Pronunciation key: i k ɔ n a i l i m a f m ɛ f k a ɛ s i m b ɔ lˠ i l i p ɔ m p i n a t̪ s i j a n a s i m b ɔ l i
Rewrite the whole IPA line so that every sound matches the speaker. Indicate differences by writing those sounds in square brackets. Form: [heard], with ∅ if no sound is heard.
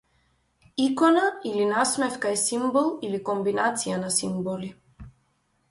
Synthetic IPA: i k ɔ n a i l i [n] a [s] m ɛ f k a ɛ s i m b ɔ lˠ i l i [k] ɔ m [b] i n a t̪ s i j a n a s i m b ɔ l i